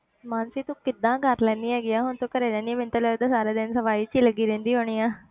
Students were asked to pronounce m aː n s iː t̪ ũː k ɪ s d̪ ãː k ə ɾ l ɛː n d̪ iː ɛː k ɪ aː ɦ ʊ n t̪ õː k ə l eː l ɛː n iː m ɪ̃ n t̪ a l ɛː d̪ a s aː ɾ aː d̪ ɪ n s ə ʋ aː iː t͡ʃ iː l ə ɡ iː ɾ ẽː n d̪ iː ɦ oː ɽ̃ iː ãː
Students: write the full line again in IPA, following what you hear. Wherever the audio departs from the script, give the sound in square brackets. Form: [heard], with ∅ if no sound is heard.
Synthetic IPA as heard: m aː n s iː t̪ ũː k ɪ [∅] d̪ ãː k ə ɾ l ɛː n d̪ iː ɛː [ɡ] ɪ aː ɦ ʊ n t̪ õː k ə [ɾ] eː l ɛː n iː m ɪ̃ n t̪ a l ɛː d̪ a s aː ɾ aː d̪ ɪ n s ə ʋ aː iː t͡ʃ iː l ə ɡ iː ɾ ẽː n d̪ iː ɦ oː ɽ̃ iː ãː